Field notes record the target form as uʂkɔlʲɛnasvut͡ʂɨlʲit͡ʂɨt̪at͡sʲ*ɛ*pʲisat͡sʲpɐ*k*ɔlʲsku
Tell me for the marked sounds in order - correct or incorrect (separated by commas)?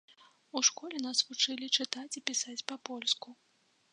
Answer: incorrect, incorrect